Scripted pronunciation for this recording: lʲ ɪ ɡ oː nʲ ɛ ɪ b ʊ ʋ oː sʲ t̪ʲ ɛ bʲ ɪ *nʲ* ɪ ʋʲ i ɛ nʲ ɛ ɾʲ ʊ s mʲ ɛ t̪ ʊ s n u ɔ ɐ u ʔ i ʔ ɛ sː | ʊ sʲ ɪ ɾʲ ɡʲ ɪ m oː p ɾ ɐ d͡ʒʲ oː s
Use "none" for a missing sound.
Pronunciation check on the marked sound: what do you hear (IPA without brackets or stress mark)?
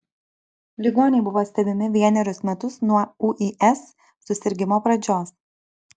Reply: mʲ